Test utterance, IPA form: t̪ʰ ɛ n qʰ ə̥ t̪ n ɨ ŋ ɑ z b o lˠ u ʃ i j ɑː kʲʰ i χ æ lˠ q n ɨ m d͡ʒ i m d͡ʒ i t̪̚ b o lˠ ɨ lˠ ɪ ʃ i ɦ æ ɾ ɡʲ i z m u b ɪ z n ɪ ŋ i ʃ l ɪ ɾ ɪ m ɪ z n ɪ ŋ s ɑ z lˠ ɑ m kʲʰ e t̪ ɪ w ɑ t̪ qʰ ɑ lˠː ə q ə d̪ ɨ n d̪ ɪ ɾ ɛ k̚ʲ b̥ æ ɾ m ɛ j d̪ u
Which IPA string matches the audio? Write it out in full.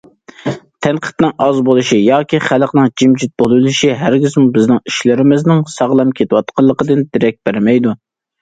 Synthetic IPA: t̪ʰ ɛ n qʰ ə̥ t̪ n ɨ ŋ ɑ z b o lˠ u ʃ i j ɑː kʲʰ i χ æ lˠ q n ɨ ŋ d͡ʒ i m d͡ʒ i t̪̚ b o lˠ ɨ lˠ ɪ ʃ i ɦ æ ɾ ɡʲ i z m u b ɪ z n ɪ ŋ i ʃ l ɪ ɾ ɪ m ɪ z n ɪ ŋ s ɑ ʁ lˠ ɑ m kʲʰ e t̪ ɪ w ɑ t̪ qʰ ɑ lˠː ə q ə d̪ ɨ n d̪ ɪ ɾ ɛ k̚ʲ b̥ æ ɾ m ɛ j d̪ u